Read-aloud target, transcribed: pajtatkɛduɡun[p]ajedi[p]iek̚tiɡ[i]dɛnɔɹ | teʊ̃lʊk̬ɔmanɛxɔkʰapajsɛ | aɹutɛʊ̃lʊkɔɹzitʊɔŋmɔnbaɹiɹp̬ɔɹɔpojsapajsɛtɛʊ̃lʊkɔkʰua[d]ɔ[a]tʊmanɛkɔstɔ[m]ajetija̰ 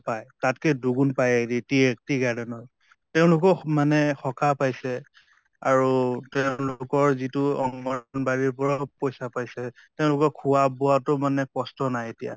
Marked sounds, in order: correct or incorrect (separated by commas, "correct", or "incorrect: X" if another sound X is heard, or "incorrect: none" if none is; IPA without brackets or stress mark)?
correct, incorrect: t, incorrect: a, incorrect: b, correct, incorrect: n